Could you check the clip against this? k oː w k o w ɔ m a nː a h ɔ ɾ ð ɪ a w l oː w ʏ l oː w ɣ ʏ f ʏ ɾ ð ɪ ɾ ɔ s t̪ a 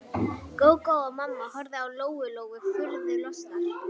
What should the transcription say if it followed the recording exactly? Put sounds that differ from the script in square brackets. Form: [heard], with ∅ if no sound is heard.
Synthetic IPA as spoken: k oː w k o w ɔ m a [mː] a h ɔ ɾ ð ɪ a w l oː w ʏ l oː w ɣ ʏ f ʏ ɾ ð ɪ [l] ɔ s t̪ a